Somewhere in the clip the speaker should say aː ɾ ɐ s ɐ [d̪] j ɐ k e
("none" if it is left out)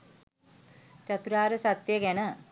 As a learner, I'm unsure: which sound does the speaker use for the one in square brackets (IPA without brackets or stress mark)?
t̪